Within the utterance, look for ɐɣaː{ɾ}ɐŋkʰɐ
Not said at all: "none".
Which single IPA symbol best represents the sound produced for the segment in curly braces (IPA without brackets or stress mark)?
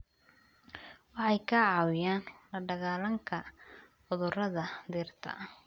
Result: l